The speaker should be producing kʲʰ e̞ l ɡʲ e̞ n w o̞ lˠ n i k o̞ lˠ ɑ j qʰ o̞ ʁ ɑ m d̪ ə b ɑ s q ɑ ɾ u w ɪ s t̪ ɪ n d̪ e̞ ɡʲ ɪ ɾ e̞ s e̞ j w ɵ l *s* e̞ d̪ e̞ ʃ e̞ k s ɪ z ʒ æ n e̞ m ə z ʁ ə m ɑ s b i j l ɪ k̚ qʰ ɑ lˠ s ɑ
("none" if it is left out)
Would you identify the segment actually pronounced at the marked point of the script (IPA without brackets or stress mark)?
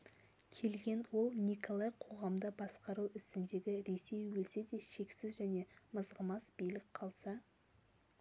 s